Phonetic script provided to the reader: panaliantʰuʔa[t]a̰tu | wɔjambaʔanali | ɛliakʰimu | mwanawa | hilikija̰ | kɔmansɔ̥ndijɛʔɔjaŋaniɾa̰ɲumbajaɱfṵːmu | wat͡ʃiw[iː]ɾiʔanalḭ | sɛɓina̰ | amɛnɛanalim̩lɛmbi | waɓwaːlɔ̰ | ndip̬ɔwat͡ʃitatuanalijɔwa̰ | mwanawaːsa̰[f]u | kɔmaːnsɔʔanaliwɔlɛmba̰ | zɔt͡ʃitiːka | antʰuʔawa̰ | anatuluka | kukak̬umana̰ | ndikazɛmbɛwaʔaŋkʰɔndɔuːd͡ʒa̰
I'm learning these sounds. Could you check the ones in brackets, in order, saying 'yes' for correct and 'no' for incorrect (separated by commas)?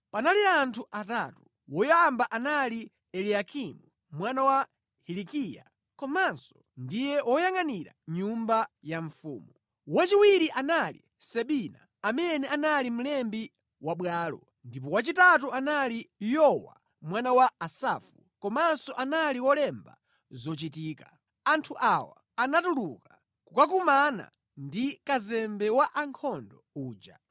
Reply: yes, no, yes